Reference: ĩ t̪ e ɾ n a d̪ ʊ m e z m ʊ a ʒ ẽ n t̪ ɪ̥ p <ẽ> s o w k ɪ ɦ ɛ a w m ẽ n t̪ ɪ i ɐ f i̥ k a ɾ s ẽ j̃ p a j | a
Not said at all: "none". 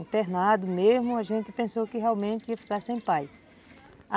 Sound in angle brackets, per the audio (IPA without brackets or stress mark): ẽ